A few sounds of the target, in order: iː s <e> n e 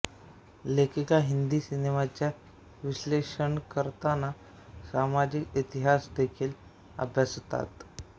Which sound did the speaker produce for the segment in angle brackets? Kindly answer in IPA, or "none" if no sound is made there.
i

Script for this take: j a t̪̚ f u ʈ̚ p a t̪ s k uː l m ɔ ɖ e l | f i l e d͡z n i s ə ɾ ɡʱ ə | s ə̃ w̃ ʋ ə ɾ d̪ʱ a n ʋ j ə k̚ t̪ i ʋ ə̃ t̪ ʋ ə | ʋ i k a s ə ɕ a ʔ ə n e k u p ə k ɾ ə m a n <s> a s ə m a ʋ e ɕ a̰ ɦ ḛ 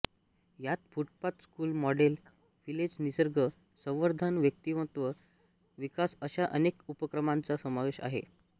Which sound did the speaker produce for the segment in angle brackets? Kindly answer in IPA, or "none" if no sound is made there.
t͡s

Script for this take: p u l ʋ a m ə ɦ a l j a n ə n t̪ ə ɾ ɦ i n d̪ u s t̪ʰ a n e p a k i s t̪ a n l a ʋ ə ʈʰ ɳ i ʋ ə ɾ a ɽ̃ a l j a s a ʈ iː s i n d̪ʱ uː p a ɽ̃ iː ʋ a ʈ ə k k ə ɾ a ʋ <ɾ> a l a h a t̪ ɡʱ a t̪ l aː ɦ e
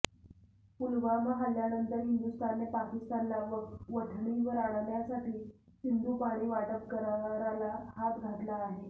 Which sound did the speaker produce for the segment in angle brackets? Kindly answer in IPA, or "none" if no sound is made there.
ɾ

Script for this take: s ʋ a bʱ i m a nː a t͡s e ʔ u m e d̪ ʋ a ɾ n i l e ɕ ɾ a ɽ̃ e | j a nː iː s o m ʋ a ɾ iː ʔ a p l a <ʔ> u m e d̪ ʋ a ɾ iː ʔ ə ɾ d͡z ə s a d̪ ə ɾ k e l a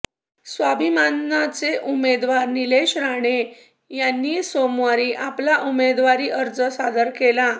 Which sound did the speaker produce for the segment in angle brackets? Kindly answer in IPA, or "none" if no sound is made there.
ʔ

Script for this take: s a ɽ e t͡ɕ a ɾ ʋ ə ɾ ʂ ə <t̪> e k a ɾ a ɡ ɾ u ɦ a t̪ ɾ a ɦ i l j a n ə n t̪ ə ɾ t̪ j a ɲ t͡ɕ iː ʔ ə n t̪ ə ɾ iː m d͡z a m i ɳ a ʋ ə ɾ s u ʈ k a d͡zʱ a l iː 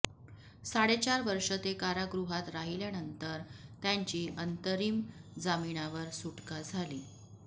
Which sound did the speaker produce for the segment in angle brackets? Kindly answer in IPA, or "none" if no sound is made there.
t̪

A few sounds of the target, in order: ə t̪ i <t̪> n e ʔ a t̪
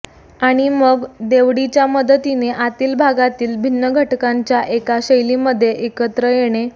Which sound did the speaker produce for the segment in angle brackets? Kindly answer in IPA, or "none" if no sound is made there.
none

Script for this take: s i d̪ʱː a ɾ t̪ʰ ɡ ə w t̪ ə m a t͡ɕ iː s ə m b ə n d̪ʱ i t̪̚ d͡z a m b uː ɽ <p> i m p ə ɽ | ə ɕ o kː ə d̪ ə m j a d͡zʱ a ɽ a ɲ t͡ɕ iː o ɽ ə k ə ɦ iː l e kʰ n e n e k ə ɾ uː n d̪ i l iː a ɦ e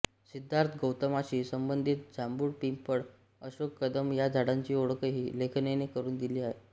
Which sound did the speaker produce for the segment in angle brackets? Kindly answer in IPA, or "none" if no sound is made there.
p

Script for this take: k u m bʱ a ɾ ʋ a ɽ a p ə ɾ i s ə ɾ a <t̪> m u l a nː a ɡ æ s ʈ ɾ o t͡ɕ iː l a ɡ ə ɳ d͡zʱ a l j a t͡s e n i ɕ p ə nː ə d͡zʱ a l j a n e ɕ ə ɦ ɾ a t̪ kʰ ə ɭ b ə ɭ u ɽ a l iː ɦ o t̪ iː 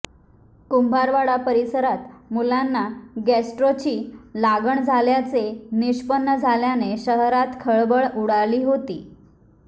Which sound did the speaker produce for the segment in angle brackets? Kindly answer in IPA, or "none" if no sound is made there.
t̪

